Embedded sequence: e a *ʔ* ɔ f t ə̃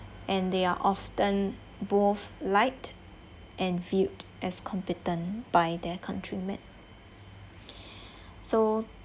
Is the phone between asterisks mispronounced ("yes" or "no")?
no